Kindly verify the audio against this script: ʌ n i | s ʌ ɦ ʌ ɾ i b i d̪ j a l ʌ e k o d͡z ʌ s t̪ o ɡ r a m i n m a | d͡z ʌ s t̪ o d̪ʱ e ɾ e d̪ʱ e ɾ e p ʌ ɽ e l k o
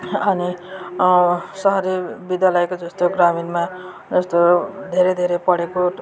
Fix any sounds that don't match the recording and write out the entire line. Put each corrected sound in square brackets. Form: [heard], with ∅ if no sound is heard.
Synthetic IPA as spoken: ʌ n i | s ʌ ɦ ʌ ɾ i b i d̪ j a l ʌ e k o d͡z ʌ s t̪ o ɡ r a m i n m a | d͡z ʌ s t̪ o d̪ʱ e ɾ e d̪ʱ e ɾ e p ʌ ɽ e [∅] k o